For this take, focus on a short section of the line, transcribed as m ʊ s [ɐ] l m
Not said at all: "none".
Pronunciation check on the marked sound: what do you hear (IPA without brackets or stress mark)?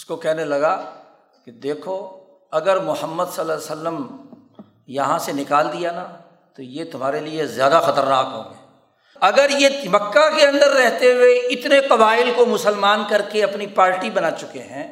ə